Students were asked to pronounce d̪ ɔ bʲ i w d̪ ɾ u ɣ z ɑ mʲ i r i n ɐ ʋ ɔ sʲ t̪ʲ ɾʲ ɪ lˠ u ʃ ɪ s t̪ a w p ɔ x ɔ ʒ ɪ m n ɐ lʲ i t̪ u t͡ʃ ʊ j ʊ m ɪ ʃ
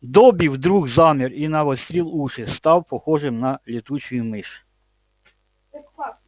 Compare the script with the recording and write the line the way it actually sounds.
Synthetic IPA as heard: d̪ ɔ bʲ i w d̪ ɾ u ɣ z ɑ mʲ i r i n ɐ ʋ ɔ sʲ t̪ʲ ɾʲ i lˠ u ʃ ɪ s t̪ ɑ w p ɔ x ɔ ʒ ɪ m n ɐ lʲ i t̪ u t͡ʃ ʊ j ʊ m ɪ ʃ